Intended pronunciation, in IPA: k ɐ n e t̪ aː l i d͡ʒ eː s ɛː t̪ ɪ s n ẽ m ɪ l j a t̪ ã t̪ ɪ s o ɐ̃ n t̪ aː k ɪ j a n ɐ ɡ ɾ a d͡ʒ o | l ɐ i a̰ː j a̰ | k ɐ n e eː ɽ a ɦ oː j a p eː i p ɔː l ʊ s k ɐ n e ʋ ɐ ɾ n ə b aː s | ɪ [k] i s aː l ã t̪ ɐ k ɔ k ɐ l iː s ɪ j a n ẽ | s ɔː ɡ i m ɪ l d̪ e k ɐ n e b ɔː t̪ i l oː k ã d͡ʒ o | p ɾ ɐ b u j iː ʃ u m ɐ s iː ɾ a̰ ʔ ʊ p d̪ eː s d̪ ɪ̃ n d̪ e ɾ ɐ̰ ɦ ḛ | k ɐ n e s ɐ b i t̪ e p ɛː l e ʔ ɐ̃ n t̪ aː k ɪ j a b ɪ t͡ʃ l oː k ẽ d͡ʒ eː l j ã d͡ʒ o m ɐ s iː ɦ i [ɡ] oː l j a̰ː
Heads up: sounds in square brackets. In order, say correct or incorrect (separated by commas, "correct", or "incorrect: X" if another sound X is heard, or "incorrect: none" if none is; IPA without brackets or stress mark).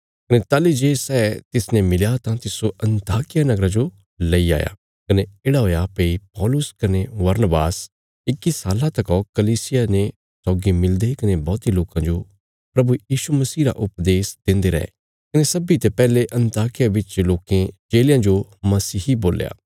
correct, incorrect: b